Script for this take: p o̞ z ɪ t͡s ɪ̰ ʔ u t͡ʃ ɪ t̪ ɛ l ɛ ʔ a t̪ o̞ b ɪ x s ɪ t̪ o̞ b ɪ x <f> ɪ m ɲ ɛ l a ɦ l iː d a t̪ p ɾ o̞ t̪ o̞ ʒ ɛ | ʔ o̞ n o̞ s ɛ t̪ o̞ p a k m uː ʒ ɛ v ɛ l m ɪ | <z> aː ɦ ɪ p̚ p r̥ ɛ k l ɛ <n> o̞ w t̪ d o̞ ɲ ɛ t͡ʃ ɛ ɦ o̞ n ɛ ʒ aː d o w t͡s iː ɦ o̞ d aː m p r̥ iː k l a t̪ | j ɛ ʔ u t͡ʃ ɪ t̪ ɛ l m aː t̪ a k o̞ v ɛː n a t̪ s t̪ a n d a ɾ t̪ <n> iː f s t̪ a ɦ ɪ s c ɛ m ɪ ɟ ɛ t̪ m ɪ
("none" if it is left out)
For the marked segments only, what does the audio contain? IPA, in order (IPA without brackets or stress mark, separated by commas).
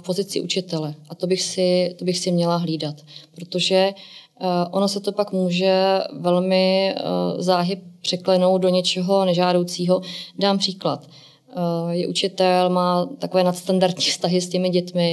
s, z, n, ɲ